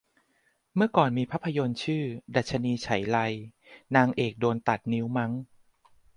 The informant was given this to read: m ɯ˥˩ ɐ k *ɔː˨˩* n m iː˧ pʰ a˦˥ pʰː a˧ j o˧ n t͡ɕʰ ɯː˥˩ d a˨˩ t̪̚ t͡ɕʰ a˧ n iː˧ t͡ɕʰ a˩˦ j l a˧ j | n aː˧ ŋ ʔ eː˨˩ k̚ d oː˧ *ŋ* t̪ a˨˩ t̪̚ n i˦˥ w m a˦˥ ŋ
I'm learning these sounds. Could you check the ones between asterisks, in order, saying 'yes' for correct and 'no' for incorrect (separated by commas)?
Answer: yes, no